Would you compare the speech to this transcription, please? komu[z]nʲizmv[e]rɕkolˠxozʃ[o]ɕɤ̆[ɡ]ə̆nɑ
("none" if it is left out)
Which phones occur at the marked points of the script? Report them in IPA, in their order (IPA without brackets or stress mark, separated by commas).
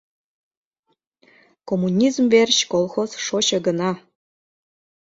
none, e, o, ɡ